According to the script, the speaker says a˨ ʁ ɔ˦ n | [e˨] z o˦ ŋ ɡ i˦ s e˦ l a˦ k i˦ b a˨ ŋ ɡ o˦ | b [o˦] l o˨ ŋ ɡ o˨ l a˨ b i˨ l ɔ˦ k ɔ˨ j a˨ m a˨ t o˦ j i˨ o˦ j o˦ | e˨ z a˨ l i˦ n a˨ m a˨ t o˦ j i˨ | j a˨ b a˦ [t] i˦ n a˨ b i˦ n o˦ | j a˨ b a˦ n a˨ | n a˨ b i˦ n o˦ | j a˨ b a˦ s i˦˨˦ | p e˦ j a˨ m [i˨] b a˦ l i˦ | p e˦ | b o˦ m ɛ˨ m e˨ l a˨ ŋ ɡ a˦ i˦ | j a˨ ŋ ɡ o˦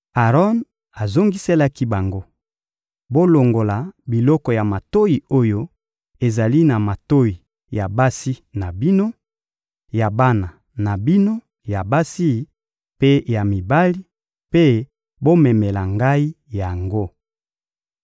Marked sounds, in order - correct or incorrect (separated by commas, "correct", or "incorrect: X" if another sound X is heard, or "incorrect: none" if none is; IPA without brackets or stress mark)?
incorrect: a˨, correct, incorrect: s, correct